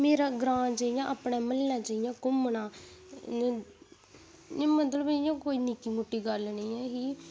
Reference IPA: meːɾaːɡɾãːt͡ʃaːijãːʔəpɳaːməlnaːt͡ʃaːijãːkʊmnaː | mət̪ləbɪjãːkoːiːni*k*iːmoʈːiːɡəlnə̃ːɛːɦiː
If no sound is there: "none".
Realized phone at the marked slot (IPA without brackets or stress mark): k